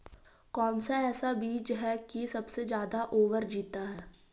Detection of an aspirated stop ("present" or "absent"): absent